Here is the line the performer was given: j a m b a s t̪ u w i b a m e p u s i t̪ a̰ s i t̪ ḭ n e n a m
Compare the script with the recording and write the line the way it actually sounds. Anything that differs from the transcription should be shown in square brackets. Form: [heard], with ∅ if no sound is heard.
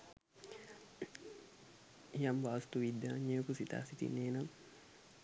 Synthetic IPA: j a m b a s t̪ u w i [d] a [ɲ] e [k] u s i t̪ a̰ s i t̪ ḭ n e n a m